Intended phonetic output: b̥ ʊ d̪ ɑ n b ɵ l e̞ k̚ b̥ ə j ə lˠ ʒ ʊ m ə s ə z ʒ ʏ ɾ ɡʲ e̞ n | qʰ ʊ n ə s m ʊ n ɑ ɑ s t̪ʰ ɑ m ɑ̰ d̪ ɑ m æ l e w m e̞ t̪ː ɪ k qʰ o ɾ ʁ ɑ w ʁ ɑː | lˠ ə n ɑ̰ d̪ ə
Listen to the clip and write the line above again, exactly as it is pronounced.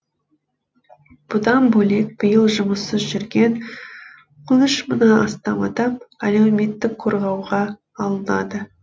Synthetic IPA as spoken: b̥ ʊ d̪ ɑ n b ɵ l e̞ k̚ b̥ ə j ə lˠ ʒ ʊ m ə s ə z ʒ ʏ ɾ ɡʲ e̞ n | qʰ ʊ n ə ʃ m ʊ n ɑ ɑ s t̪ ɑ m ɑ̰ d̪ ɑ m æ l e w m e̞ t̪ː ɪ k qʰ o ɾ ʁ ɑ w ʁ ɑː | lˠ ə n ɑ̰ d̪ ə